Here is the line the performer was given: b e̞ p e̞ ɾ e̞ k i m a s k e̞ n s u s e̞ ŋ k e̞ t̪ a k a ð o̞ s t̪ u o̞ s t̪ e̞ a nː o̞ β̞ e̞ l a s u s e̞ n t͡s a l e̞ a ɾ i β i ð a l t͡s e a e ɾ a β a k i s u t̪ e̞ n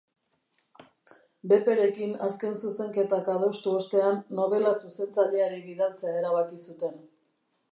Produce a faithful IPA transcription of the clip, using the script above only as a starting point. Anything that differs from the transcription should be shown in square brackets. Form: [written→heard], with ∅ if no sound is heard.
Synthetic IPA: b e̞ p e̞ ɾ e̞ k i [m→n] a s k e̞ n s u s e̞ ŋ k e̞ t̪ a k a ð o̞ s t̪ u o̞ s t̪ e̞ a nː o̞ β̞ e̞ l a s u s e̞ n t͡s a [l→ʎ] e̞ a ɾ i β i ð a l t͡s e a e ɾ a β a k i s u t̪ e̞ n